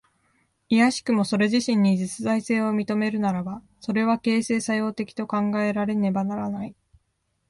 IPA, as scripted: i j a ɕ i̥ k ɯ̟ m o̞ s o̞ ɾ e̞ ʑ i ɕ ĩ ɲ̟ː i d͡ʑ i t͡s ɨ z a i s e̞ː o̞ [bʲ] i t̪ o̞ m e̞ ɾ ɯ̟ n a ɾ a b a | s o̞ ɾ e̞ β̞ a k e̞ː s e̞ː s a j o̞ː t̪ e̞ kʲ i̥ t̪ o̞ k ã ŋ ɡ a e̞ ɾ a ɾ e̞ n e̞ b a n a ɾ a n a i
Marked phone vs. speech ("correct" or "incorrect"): incorrect